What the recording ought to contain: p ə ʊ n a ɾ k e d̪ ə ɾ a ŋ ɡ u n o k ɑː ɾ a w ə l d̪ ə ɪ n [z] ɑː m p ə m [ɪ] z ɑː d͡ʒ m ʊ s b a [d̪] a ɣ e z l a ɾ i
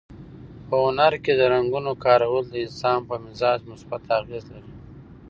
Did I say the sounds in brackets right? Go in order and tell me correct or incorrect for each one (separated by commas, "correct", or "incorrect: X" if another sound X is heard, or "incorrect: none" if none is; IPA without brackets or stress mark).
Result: incorrect: s, correct, incorrect: t̪